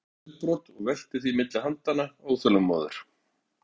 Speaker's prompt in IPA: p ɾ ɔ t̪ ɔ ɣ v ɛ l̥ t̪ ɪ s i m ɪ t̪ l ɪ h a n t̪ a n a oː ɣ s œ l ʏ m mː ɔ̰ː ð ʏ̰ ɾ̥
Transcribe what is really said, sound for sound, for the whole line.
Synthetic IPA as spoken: p ɾ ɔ t̪ ɔ ɣ v ɛ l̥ t̪ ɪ θ i m ɪ t̪ l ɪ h a n t̪ a n a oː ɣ θ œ l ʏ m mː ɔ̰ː ð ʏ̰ ɾ̥

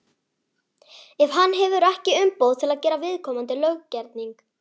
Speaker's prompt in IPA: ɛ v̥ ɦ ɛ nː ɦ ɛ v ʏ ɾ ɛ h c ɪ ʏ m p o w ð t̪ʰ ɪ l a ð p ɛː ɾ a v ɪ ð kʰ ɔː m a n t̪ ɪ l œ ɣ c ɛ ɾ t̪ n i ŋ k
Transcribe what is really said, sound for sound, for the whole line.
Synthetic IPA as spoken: ɛ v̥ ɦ a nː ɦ ɛ v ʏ ɾ ɛ h c ɪ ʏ m p o w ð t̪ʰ ɪ l a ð c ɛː ɾ a v ɪ ð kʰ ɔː m a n t̪ ɪ l œ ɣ c ɛ ɾ t̪ n i ŋ k

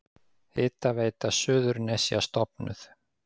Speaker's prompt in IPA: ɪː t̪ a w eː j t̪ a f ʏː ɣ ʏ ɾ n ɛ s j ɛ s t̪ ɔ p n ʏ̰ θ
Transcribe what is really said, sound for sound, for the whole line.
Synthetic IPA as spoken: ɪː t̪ a v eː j t̪ a s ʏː ð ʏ ɾ n ɛ s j a s t̪ ɔ p n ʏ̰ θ

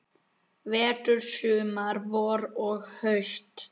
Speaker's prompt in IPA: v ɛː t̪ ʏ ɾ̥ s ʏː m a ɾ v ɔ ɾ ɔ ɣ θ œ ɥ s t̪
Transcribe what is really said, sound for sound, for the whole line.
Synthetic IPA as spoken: v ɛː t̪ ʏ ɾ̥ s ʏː m a ɾ v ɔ ɾ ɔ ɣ h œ ɥ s t̪

